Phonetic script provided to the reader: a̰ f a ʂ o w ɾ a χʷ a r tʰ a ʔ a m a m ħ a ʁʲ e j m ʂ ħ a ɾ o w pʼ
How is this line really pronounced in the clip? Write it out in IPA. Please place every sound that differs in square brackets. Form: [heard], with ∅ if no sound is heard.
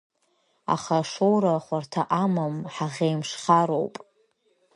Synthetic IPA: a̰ [χ] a ʂ o w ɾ a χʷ a r tʰ a ʔ a m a m ħ a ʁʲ e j m ʂ [χ] a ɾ o w pʼ